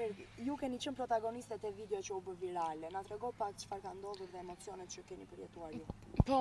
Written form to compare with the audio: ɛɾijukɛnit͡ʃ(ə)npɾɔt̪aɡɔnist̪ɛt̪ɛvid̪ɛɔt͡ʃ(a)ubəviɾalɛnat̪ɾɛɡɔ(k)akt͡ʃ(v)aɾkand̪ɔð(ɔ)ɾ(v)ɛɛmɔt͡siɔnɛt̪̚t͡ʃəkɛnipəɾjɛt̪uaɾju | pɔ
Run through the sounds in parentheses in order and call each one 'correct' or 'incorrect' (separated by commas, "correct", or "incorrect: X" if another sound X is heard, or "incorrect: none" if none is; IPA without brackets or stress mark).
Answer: correct, incorrect: ə, incorrect: p, incorrect: f, incorrect: u, incorrect: ð